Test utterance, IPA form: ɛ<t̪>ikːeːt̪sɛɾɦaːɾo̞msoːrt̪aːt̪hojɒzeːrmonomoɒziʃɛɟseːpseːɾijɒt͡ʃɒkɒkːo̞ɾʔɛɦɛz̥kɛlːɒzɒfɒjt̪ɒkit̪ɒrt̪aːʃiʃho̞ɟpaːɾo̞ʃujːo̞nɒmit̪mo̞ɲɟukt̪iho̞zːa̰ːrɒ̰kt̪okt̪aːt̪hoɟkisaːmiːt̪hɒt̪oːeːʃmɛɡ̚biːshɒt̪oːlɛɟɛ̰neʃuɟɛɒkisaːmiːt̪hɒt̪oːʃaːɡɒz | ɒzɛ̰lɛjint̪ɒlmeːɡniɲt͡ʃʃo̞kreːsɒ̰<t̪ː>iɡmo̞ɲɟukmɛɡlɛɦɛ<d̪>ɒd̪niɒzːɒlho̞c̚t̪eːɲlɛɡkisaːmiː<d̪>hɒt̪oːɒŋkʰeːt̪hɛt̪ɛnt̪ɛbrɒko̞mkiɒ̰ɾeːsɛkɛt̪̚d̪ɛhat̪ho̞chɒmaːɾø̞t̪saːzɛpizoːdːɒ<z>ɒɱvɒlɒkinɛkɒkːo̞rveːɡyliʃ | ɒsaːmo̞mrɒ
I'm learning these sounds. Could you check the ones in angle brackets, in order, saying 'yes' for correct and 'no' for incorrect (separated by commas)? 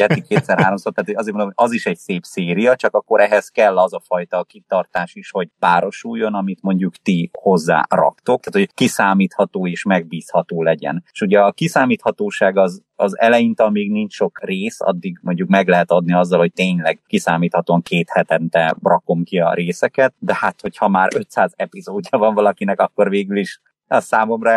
yes, no, no, no, no